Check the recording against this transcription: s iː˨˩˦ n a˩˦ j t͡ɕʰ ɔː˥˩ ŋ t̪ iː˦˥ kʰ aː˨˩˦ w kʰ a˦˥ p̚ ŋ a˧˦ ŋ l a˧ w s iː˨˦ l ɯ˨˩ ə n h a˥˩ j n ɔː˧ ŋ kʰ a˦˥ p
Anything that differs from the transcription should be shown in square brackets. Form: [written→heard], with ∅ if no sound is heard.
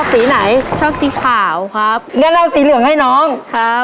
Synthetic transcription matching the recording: s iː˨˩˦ n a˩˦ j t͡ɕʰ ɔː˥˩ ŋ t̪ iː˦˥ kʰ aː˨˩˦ w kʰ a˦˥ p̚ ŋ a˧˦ [ŋ→n] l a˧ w s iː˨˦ l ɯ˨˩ ə [n→ŋ] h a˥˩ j n [ɔː˧→ɔː˦˥] ŋ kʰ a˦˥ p